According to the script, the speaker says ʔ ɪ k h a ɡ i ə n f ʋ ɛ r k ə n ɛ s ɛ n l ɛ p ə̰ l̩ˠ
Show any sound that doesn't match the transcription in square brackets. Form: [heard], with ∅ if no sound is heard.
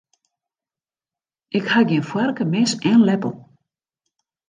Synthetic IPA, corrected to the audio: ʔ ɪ k h a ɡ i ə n f [w] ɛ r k ə [m] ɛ s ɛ n l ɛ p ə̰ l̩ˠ